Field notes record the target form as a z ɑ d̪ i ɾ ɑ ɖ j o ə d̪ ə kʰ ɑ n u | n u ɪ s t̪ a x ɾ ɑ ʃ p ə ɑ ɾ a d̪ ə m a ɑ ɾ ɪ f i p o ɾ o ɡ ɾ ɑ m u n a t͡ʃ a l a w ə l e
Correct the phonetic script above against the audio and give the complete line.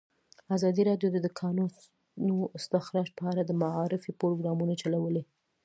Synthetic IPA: a z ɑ d̪ i ɾ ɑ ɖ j o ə d̪ ə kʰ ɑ n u | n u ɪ s t̪ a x ɾ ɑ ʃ p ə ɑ ɾ a d̪ ə m a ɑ ɾ ɪ f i p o ɾ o ɡ ɾ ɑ m u n a t͡ʃ a l a w ə l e